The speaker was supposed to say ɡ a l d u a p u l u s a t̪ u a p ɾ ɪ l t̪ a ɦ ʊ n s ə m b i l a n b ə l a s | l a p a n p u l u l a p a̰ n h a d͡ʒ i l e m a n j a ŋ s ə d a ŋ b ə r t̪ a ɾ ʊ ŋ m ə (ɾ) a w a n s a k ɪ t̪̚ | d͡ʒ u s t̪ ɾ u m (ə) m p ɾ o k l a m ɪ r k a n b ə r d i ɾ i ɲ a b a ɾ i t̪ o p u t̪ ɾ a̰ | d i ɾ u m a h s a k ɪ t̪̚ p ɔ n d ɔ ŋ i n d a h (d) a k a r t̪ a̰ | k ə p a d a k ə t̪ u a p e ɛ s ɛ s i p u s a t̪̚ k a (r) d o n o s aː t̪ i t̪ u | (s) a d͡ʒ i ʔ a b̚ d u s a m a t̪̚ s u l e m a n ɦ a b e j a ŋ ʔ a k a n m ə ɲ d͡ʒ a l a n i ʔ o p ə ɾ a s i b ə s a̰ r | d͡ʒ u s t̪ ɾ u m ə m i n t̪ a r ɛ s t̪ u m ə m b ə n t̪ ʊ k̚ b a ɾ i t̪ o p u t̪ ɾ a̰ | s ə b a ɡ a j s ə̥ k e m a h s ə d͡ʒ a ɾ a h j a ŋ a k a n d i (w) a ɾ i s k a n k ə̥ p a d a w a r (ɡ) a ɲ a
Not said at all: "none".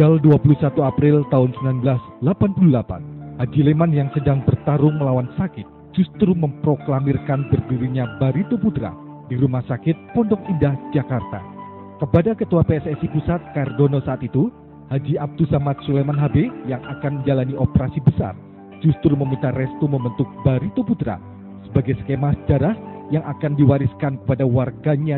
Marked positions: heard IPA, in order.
l, ə, d͡ʒ, r, h, w, ɡ

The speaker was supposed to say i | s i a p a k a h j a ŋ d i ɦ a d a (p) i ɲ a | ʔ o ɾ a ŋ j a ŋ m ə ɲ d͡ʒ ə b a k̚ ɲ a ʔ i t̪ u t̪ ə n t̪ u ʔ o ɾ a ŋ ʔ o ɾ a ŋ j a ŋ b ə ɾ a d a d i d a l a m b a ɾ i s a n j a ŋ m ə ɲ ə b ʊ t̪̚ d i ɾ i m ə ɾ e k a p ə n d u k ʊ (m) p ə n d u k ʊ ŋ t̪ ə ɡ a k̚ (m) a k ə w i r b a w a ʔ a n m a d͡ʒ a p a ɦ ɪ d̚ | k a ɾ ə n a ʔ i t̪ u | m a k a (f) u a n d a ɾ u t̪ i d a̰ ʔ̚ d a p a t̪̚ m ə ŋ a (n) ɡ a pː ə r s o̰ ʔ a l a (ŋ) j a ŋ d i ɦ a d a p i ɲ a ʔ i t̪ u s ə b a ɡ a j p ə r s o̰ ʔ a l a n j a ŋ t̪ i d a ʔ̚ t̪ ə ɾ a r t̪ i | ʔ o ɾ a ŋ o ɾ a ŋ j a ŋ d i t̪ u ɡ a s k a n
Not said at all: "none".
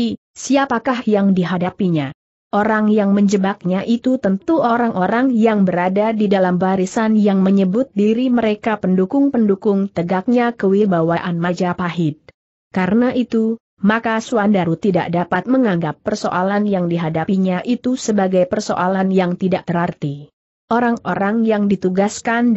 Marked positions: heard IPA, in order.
p, ŋ, ɲ, s, ŋ, n

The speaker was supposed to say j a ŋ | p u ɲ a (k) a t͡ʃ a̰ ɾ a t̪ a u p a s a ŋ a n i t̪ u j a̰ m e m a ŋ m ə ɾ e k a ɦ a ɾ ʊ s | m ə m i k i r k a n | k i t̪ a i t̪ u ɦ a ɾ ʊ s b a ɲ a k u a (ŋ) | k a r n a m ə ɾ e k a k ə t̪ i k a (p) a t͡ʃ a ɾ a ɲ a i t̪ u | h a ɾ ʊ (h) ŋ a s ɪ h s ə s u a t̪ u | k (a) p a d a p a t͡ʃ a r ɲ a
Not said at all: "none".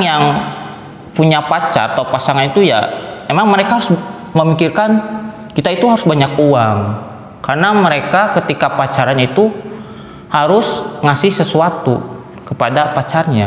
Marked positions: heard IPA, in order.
p, ŋ, p, s, ə

